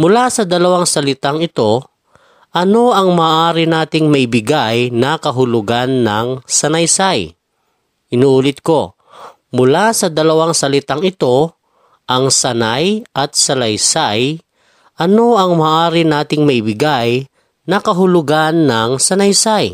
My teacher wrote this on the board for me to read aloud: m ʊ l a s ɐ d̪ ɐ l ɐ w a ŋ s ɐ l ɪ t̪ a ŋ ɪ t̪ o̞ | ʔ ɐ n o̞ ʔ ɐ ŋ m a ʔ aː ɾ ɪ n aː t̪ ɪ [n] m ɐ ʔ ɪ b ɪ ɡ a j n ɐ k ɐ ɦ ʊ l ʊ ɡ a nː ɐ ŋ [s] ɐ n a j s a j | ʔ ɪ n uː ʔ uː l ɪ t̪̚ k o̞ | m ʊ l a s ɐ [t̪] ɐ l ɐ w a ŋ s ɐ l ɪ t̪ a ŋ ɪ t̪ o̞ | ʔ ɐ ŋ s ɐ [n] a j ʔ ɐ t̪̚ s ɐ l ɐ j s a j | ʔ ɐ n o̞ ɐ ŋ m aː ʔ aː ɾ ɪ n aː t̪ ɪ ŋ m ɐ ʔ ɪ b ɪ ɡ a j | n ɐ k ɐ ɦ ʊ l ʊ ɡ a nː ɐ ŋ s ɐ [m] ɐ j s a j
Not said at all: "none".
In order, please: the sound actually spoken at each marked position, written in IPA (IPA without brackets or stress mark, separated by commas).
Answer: ŋ, s, d̪, n, n